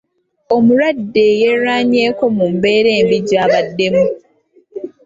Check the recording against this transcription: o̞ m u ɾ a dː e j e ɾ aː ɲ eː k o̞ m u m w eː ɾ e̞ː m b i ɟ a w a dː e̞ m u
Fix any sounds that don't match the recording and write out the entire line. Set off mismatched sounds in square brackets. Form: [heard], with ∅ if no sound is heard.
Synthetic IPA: o̞ m u ɾ a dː e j e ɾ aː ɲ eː k o̞ m u m [b] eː ɾ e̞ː m b i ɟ a [β] a dː e̞ m u